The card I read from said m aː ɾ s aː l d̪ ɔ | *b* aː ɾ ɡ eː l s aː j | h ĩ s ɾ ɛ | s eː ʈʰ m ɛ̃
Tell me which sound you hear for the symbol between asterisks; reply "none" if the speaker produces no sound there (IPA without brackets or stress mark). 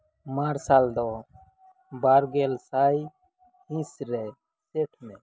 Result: b